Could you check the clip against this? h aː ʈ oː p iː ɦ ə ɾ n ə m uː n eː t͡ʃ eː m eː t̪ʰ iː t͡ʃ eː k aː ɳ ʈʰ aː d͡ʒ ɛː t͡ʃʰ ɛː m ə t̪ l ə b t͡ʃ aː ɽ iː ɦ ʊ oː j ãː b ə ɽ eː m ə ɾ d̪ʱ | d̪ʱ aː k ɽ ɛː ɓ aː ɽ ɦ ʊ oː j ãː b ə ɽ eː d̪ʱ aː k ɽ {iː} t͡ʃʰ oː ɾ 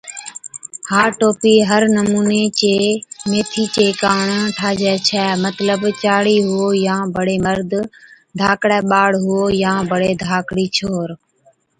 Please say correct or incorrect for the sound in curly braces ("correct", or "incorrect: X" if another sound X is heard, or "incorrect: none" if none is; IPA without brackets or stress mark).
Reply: correct